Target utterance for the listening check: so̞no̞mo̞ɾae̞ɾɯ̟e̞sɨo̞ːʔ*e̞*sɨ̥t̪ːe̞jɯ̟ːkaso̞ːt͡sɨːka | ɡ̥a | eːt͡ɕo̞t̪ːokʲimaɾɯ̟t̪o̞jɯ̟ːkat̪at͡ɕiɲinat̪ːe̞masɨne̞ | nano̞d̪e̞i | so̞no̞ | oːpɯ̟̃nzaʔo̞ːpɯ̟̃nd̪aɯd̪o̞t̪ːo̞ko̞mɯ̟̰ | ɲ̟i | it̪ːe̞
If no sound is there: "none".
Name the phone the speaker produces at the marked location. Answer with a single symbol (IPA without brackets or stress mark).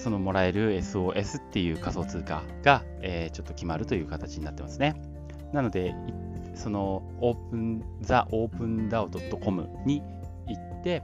e̞